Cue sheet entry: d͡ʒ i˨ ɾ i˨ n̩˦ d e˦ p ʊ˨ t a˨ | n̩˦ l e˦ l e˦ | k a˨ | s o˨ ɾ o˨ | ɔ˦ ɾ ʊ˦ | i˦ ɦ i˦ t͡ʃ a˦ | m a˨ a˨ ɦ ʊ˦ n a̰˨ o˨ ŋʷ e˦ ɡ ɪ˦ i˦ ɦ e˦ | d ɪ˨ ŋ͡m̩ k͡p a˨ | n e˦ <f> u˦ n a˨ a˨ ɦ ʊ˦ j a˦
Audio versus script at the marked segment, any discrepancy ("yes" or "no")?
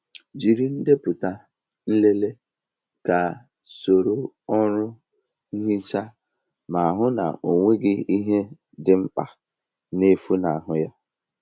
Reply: no